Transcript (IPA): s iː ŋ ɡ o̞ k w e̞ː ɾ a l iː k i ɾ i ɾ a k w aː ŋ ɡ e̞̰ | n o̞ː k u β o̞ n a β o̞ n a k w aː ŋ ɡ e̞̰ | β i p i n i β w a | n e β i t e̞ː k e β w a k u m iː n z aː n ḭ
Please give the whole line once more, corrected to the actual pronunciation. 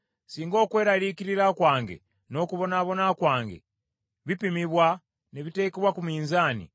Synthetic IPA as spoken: s iː ŋ ɡ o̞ k w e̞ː ɾ a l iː k i ɾ i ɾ a k w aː ŋ ɡ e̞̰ | n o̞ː k u β o̞ n a β o̞ n a k w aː ŋ ɡ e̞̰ | β i p i m i β w a | n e β i t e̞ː k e β w a k u m iː n z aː n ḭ